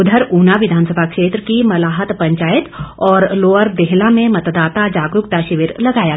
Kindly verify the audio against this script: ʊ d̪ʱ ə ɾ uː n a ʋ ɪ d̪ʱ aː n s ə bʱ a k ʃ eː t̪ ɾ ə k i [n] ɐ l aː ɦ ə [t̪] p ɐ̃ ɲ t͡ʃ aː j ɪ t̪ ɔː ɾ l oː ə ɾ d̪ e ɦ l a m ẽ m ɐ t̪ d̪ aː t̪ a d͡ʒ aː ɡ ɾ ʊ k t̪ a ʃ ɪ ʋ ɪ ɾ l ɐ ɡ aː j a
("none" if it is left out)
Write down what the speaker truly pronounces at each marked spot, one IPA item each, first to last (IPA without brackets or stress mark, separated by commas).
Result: m, t̪